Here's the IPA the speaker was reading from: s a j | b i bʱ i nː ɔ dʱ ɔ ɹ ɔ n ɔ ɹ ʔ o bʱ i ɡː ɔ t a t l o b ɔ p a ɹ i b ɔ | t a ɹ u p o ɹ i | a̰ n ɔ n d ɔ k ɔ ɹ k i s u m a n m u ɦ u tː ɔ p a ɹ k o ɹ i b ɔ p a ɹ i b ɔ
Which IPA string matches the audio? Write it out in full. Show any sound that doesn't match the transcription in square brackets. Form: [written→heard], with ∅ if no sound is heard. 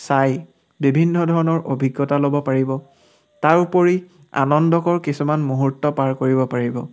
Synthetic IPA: s a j | b i bʱ i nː ɔ dʱ ɔ ɹ ɔ n ɔ ɹ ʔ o bʱ i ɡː ɔ t a [t→∅] l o b ɔ p a ɹ i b ɔ | t a ɹ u p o ɹ i | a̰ n ɔ n d ɔ k ɔ ɹ k i s u m a n m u ɦ u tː ɔ p a ɹ k o ɹ i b ɔ p a ɹ i b ɔ